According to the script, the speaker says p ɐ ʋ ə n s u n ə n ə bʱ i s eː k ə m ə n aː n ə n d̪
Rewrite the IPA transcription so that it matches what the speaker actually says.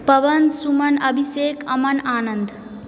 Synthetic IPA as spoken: p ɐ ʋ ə n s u m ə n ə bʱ i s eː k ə m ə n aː n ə n d̪